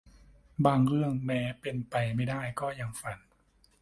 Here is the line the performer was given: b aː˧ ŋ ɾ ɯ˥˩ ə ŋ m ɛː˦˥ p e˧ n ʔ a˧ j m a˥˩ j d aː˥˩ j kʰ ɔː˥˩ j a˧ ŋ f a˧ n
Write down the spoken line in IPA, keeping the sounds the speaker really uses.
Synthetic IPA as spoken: b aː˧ ŋ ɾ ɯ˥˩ ə ŋ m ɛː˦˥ p e˧ n p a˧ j m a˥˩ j d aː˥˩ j k ɔː˥˩ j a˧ ŋ f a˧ n